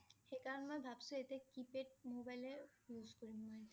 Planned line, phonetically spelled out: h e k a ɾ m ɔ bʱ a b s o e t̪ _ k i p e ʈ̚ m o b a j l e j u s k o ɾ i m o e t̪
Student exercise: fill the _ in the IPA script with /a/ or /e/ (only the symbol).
e